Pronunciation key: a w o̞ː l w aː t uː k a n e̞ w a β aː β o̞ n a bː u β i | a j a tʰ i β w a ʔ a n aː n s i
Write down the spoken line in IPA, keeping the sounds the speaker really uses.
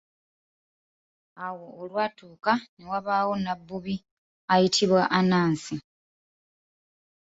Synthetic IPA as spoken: a w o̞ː l w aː t uː k a n e̞ w a β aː w o̞ n a bː u β i | a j i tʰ i β w a ʔ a n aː n s i